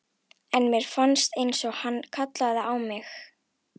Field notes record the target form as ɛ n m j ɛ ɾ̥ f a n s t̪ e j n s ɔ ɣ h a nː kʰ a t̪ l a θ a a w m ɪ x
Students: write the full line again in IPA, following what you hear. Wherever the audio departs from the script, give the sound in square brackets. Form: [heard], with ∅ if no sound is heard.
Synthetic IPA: ɛ n m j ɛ ɾ̥ f a n s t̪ e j n s ɔ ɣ h a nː kʰ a t̪ l a [ð] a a w m ɪ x